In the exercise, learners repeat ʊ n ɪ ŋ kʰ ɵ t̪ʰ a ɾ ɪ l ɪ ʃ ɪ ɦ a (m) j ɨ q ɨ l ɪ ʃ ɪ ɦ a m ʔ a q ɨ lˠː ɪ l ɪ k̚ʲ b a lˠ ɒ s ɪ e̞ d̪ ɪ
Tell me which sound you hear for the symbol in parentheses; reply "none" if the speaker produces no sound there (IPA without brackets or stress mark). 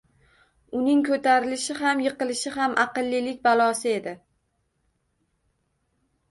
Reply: m